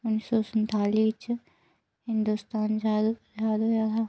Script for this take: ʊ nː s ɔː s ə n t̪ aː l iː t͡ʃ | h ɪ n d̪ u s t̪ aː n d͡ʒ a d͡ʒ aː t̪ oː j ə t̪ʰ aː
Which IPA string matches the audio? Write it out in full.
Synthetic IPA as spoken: ʊ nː s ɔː s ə n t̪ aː l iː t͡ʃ | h ɪ n d̪ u s t̪ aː n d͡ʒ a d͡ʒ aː d̪ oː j a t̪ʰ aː